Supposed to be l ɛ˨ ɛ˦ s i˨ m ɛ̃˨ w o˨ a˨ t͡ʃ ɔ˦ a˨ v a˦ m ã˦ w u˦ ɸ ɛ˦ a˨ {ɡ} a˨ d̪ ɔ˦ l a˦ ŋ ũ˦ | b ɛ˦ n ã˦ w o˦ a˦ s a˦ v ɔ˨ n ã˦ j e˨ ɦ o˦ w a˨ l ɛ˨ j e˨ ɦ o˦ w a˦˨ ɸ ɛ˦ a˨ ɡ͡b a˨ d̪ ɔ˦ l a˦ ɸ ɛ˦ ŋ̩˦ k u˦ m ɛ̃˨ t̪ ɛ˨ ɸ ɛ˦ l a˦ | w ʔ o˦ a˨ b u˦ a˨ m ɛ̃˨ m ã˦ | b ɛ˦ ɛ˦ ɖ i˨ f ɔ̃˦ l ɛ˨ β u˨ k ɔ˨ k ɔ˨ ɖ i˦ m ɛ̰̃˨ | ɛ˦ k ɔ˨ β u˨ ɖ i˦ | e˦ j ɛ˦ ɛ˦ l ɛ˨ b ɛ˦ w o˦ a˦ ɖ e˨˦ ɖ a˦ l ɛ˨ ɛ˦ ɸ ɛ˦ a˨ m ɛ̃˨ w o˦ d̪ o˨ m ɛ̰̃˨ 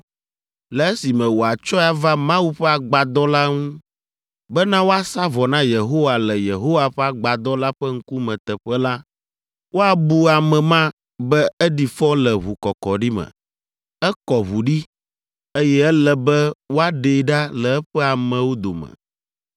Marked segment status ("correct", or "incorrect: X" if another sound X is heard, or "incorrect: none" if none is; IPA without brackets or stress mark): incorrect: ɡ͡b